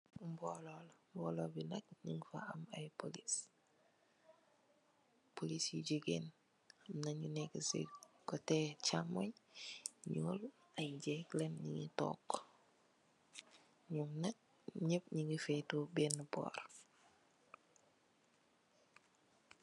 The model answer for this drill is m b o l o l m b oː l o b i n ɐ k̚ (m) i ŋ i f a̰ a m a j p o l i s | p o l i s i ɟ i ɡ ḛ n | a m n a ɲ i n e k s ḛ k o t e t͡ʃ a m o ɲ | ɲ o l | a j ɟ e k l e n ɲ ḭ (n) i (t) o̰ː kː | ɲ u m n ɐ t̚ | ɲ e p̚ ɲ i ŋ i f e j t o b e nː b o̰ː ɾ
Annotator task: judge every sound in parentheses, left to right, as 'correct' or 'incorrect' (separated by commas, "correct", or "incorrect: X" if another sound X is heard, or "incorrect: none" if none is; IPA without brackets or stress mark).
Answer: incorrect: ɲ, incorrect: ŋ, correct